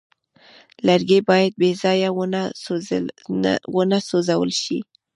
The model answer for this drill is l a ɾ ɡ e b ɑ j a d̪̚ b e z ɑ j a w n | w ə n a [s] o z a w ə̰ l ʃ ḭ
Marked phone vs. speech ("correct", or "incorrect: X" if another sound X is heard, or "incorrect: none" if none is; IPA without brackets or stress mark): correct